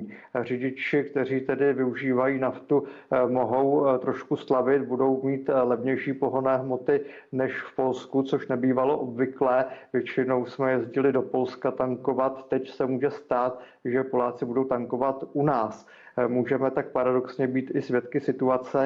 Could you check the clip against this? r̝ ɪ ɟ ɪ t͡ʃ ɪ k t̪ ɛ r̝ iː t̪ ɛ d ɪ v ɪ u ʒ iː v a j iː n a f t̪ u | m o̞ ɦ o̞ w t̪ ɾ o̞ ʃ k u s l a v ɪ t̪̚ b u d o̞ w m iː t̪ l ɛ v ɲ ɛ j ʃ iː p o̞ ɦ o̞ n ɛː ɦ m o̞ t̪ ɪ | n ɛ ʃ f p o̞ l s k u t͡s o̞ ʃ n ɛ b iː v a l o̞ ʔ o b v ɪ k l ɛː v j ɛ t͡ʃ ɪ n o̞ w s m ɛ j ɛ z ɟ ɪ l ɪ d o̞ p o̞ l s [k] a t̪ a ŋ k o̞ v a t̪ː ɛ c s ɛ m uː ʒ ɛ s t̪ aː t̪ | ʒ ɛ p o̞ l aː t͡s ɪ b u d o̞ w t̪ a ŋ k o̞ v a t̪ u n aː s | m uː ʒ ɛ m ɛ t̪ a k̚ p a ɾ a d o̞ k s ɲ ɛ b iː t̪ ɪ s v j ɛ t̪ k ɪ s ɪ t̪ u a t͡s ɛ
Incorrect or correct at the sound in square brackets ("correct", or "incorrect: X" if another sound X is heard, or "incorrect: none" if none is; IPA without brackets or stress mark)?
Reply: correct